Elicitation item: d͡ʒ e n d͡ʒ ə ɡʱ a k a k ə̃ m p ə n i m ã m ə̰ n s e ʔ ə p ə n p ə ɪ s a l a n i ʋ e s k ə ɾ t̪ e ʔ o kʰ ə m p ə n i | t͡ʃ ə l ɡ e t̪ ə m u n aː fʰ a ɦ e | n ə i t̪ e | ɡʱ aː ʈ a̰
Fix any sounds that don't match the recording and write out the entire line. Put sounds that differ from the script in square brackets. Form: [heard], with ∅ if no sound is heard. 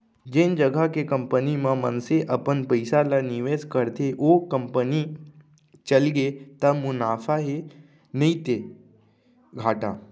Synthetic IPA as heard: d͡ʒ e n d͡ʒ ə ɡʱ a k [e] k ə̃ m p ə n i m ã m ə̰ n s e ʔ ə p ə n p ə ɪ s a l a n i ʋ e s k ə ɾ t̪ e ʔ o [k] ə m p ə n i | t͡ʃ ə l ɡ e t̪ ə m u n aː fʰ a ɦ e | n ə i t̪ e | ɡʱ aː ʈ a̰